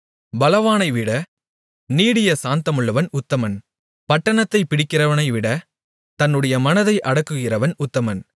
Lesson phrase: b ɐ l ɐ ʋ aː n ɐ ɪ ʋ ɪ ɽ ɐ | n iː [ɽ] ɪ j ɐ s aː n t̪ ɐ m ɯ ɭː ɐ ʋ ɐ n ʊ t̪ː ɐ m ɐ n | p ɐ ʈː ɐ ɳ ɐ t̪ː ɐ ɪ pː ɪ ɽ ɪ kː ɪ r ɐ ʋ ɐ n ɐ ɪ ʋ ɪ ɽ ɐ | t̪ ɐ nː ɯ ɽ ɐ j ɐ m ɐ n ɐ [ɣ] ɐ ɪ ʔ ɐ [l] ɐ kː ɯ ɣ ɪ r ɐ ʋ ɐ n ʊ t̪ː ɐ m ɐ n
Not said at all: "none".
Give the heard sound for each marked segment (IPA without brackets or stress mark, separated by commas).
ɽ, ð, ɽ